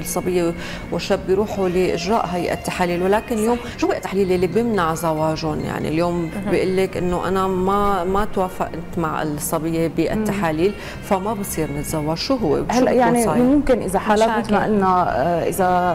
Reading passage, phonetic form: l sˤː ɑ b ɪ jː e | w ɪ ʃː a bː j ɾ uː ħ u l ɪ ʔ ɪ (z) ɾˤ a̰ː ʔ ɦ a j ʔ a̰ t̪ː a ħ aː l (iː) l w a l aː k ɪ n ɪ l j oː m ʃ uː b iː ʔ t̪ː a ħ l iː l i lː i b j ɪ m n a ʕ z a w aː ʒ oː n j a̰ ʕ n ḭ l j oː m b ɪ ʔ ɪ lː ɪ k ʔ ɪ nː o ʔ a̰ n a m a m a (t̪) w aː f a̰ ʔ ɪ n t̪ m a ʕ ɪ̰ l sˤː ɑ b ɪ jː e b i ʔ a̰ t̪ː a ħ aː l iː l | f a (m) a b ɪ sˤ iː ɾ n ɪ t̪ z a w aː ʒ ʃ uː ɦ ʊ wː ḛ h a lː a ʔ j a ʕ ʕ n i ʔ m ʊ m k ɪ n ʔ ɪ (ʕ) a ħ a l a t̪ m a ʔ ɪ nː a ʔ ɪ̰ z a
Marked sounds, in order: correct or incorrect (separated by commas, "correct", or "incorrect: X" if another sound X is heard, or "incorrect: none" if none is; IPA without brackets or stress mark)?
incorrect: ʒ, correct, correct, correct, incorrect: z